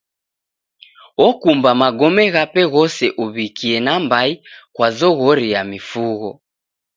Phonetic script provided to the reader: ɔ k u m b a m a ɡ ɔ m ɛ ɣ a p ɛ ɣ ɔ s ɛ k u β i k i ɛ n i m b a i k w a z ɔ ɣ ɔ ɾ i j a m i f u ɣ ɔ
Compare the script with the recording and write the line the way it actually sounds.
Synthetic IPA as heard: ɔ k u m b a m a ɡ ɔ m ɛ ɣ a p ɛ ɣ ɔ s ɛ ʔ u β i k i ɛ n a m b a i k w a z ɔ ɣ ɔ ɾ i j a m i f u ɣ ɔ